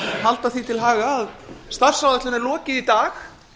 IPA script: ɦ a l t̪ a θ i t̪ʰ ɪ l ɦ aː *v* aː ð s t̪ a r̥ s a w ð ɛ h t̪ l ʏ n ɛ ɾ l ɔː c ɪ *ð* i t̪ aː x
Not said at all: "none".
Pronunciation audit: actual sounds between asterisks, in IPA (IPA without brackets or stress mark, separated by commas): ɣ, ð